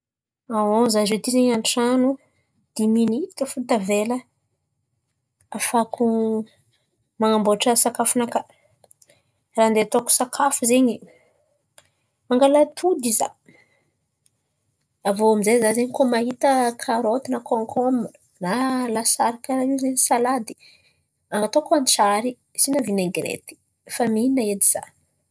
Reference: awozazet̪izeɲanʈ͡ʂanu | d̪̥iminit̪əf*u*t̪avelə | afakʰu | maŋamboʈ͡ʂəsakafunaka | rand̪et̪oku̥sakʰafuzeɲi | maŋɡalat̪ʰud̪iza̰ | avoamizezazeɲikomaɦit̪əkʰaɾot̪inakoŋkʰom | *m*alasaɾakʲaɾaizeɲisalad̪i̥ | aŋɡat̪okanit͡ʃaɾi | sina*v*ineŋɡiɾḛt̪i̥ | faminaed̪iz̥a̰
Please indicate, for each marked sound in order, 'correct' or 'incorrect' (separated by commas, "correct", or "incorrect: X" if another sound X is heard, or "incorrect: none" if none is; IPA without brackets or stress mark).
correct, incorrect: n, correct